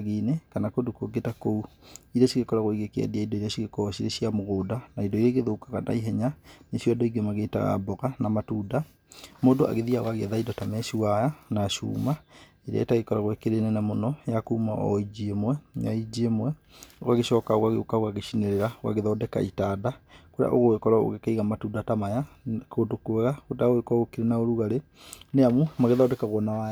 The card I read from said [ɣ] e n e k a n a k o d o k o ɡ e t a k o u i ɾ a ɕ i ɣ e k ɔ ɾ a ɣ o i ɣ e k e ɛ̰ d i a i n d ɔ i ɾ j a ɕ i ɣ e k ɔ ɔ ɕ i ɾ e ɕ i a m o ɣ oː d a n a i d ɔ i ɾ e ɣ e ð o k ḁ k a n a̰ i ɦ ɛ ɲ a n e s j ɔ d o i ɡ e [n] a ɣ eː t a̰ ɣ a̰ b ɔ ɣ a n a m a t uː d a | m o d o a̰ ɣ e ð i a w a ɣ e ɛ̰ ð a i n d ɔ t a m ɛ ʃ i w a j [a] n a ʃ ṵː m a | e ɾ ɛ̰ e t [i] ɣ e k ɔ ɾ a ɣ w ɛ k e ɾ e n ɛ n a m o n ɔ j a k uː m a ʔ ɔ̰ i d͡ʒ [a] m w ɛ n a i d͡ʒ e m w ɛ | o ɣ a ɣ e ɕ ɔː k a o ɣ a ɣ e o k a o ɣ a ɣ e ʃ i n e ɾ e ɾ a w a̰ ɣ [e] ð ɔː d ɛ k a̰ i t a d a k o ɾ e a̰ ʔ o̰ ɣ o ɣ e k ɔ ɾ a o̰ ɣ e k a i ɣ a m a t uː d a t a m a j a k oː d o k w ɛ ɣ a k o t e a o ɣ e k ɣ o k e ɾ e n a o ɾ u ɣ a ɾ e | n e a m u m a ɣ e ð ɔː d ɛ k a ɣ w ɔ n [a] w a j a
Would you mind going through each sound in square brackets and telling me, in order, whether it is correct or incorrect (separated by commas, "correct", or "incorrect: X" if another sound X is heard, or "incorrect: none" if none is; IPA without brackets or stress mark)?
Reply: correct, incorrect: m, correct, incorrect: a, incorrect: e, correct, correct